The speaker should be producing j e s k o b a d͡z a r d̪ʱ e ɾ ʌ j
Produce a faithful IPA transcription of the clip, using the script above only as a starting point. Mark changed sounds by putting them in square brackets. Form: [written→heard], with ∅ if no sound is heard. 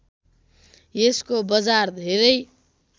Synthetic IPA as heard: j e s k o b [a→ʌ] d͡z a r d̪ʱ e ɾ ʌ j